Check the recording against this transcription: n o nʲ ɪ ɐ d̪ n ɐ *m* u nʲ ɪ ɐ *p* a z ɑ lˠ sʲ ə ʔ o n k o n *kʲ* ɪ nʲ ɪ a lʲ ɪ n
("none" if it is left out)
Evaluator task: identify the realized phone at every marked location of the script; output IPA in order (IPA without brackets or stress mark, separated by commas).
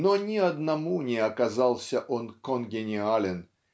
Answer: m, k, ɡʲ